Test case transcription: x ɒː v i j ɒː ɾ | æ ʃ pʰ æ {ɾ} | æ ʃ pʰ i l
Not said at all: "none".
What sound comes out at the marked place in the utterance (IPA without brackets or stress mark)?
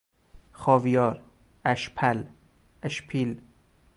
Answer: l